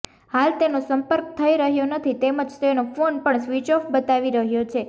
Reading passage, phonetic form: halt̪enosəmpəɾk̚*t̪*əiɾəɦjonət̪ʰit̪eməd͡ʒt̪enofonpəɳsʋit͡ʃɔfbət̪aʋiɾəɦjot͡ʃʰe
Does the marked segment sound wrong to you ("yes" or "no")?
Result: yes